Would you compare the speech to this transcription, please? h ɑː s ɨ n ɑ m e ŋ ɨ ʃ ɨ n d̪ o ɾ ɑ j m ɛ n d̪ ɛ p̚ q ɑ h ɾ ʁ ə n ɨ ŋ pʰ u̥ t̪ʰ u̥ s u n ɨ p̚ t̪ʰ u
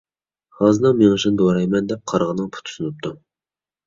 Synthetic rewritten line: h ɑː z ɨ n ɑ m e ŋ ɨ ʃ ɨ n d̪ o ɾ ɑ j m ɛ n d̪ ɛ p̚ qʰ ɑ ɾ ʁ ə n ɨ ŋ pʰ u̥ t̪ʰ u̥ s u n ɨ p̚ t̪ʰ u